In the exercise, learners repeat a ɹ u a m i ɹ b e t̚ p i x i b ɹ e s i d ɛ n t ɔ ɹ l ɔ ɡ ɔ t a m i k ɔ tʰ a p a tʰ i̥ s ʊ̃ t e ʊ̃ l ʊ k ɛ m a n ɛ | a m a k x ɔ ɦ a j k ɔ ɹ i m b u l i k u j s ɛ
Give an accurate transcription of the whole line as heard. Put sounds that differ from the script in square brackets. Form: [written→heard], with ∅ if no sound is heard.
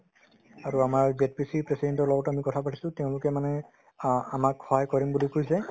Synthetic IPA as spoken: a ɹ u a m [i→a] ɹ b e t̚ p i [x→s] i [b→p] ɹ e s i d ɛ n t ɔ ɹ l ɔ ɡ ɔ t a m i k ɔ tʰ a p a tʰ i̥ s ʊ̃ t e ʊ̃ l ʊ k ɛ m a n ɛ | a m a k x ɔ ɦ a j k ɔ ɹ i m b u l i k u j s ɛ